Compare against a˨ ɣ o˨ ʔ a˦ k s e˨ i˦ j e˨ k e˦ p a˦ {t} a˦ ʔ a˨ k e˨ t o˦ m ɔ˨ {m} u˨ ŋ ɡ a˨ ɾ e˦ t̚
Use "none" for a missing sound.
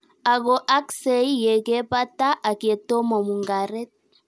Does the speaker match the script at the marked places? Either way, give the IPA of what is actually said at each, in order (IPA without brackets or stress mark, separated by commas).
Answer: t, m